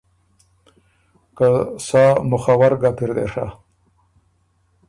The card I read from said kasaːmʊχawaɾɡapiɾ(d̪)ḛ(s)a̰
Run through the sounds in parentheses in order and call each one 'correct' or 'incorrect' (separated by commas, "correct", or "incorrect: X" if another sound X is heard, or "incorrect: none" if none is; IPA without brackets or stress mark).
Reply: correct, incorrect: ʂ